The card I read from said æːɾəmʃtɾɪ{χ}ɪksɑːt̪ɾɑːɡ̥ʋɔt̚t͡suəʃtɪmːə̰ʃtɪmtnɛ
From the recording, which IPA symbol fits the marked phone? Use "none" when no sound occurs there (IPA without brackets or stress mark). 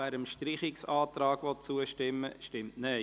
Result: χ